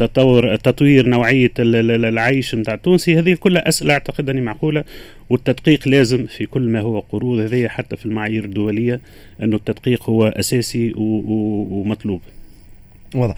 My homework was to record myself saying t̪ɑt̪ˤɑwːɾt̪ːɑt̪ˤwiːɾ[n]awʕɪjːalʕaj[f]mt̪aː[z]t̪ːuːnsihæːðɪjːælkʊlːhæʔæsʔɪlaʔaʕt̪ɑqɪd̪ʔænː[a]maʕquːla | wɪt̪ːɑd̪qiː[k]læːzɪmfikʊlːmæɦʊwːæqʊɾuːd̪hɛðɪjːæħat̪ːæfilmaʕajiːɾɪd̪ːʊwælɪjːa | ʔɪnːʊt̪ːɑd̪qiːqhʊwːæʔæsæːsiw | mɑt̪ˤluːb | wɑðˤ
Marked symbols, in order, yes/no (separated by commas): yes, no, no, no, no